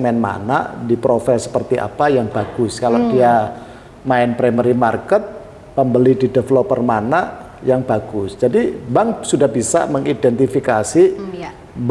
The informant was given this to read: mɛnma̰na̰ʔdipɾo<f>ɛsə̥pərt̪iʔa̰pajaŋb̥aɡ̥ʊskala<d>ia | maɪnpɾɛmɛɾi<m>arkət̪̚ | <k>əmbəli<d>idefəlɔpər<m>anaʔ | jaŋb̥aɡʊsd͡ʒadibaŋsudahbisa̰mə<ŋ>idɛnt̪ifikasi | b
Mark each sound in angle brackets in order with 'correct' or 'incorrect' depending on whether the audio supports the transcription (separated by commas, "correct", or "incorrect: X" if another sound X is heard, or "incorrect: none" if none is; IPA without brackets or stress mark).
correct, correct, correct, incorrect: p, correct, correct, correct